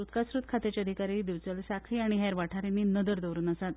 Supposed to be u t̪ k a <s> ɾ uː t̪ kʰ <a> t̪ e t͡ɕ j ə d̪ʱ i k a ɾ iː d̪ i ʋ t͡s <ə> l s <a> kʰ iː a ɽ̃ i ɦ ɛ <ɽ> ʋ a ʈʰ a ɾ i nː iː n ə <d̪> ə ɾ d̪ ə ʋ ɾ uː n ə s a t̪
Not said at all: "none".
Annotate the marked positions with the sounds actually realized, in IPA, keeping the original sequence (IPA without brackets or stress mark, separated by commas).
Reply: s, a, ə, a, ɾ, d̪